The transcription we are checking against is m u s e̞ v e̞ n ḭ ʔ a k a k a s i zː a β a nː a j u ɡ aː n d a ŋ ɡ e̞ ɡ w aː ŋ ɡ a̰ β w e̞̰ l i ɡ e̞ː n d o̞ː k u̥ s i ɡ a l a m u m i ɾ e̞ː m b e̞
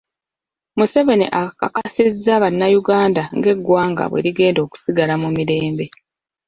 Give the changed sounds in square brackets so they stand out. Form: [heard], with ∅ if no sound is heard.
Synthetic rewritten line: m u s e̞ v e̞ n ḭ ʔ a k a k a s i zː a β a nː a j u ɡ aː n d a ŋ ɡ e̞ ɡ w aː ŋ ɡ a̰ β w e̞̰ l i ɡ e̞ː n d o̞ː k u̥ s i ɡ a l a m u m i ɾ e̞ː m b e̞